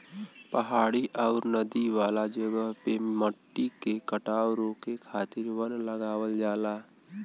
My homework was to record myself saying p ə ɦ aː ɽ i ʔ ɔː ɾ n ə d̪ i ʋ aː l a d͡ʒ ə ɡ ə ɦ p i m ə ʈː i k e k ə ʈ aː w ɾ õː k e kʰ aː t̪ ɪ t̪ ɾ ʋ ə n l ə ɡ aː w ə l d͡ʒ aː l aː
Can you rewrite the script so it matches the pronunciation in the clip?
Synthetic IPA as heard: p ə ɦ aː ɽ i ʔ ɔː ɾ n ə d̪ i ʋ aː l a d͡ʒ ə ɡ ə ɦ p e m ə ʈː i k e k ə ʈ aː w ɾ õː k e kʰ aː t̪ ɪ ɾ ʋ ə n l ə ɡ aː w ə l d͡ʒ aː l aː